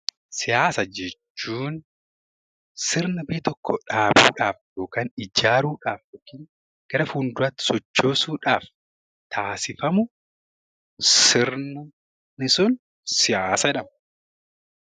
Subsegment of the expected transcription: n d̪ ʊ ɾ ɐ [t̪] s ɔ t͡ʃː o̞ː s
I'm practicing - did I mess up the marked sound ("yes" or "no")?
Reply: no